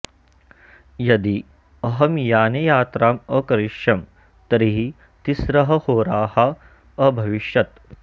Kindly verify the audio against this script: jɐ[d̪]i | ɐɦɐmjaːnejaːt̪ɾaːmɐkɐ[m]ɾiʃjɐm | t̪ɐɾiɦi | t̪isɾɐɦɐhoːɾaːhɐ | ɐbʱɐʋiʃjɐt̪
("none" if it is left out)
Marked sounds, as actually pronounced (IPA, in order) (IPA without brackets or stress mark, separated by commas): d̪, none